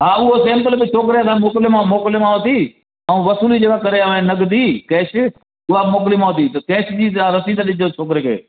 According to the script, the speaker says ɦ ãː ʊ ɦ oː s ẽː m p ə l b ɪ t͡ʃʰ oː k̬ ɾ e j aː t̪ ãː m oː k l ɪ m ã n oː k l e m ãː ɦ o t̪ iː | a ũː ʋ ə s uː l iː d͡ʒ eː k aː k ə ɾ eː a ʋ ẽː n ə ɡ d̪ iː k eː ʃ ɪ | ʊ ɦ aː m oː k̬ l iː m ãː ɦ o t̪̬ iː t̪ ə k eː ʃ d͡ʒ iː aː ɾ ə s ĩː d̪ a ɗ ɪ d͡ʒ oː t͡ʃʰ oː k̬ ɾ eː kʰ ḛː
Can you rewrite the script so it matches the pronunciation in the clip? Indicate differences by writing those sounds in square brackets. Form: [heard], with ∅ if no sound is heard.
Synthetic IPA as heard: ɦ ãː ʊ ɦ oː s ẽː m p ə l b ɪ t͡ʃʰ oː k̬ ɾ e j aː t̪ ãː m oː k l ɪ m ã [m] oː k l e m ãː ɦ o t̪ iː | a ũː ʋ ə s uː l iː d͡ʒ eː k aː k ə ɾ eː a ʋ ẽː n ə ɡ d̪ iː k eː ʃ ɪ | ʊ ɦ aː m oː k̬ l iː m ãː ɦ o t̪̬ iː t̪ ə k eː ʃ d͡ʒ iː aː ɾ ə s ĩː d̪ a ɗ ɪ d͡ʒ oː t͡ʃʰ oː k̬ ɾ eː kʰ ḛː